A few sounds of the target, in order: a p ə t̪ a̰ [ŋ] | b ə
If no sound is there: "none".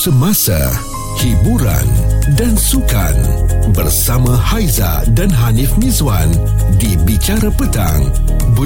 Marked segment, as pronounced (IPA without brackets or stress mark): ŋ